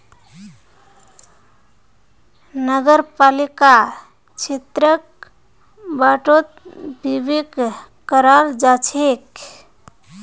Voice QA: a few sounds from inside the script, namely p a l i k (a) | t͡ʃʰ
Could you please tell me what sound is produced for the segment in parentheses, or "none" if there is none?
a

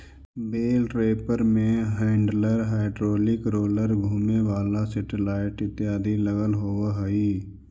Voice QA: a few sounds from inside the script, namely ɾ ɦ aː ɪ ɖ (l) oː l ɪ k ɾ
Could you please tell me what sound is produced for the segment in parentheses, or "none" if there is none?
ɾ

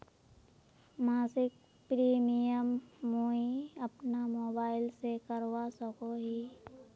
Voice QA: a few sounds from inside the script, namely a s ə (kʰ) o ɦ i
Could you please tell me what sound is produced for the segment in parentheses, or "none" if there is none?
k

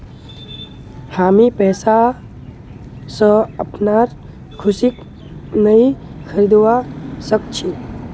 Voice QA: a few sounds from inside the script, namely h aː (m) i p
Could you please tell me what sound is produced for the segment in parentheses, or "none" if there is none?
m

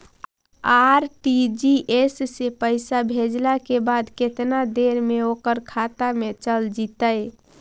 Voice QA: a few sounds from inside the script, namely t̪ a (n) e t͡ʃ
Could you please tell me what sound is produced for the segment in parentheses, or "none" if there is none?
m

